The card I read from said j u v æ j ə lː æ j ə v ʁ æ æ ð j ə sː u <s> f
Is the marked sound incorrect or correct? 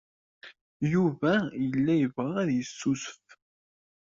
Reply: correct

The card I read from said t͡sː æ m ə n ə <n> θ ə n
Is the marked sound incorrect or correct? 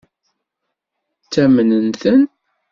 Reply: correct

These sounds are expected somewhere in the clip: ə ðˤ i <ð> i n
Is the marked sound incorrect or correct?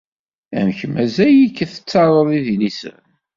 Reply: correct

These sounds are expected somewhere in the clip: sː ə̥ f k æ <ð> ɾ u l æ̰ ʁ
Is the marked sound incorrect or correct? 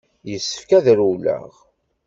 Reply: correct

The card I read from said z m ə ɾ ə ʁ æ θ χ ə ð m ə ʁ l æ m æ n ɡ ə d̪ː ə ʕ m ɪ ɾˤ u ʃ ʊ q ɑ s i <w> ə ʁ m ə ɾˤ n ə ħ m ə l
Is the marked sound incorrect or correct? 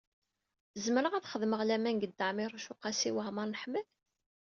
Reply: correct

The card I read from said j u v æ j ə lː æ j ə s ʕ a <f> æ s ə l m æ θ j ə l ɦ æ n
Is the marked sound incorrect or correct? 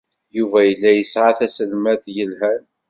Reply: incorrect: θ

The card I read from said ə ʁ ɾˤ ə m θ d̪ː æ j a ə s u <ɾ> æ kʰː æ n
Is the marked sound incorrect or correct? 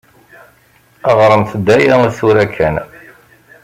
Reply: correct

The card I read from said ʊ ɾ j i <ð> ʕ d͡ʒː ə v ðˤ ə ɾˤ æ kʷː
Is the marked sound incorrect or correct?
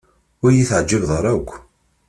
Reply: incorrect: θ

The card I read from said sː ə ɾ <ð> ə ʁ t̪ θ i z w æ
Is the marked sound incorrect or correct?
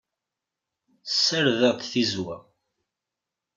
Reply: correct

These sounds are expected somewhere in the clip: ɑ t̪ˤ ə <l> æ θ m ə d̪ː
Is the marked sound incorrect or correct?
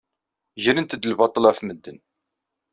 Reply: correct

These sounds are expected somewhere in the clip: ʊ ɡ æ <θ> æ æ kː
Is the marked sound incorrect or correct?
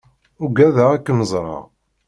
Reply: incorrect: ð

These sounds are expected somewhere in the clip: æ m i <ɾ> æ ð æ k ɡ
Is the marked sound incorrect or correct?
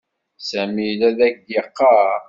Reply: incorrect: l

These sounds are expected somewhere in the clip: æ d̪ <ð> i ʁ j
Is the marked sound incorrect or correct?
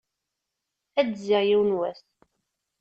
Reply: incorrect: z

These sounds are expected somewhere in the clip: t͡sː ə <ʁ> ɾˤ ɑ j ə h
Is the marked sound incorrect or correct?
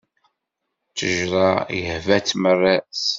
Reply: incorrect: ʒ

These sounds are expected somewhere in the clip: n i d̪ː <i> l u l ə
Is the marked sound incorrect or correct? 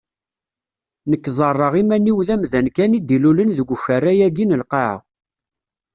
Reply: correct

